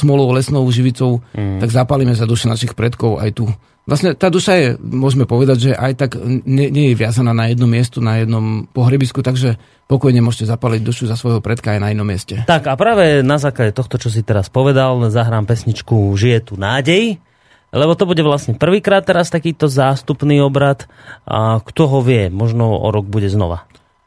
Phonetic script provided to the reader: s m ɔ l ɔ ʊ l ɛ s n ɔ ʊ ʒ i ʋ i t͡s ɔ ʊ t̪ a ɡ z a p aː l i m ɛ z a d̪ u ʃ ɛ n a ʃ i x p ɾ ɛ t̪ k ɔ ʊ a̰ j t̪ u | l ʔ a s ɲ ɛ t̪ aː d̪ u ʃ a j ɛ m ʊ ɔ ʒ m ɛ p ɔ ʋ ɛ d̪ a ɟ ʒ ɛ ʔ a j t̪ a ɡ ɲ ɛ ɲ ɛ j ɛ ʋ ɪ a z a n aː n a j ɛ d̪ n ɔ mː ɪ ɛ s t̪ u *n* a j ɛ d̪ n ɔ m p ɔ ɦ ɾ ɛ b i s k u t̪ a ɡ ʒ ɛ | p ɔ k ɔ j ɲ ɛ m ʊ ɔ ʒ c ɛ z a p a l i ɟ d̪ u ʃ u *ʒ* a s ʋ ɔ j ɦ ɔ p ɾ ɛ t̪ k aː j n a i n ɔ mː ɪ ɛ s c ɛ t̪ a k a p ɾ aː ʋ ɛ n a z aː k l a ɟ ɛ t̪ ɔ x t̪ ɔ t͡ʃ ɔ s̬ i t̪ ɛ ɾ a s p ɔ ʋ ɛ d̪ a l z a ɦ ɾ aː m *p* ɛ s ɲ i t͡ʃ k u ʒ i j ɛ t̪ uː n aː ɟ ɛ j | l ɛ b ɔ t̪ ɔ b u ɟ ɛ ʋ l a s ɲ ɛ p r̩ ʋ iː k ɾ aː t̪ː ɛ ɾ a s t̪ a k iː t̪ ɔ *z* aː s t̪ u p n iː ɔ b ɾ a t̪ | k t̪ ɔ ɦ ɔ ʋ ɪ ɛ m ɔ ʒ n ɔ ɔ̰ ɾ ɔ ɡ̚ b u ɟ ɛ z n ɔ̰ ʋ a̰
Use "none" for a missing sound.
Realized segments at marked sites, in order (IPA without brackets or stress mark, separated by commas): n, z, p, z